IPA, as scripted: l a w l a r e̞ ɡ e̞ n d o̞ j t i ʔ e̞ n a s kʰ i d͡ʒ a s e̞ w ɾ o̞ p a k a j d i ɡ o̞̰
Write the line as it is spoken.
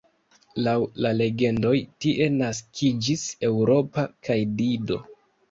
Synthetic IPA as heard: l a w l a l e̞ ɡ e̞ n d o̞ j t i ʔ e̞ n a s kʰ i d͡ʒ i s e̞ w ɾ o̞ p a k a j d i d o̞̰